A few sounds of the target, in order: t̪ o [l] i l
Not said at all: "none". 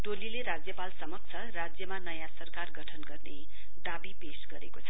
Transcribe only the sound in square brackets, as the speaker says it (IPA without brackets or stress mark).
l